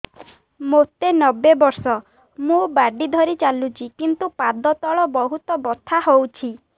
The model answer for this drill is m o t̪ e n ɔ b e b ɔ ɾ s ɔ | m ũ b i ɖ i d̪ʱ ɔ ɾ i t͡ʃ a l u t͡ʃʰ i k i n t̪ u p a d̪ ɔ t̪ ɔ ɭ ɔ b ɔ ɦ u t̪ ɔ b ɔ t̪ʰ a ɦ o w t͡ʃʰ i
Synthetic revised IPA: m o t̪ e n ɔ b e b ɔ ɾ s ɔ | m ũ b a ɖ i d̪ʱ ɔ ɾ i t͡ʃ a l u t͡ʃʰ i k i n t̪ u p a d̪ ɔ t̪ ɔ ɭ ɔ b ɔ ɦ u t̪ ɔ b ɔ t̪ʰ a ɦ o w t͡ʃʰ i